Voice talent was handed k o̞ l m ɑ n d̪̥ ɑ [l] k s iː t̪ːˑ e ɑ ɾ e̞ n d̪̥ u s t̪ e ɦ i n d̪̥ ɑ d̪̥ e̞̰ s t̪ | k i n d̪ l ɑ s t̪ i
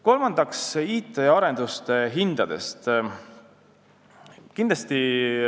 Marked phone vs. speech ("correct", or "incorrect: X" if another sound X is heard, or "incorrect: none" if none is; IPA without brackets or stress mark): incorrect: none